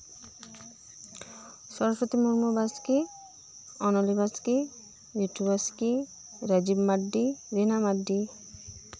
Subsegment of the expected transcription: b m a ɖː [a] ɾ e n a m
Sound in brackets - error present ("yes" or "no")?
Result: yes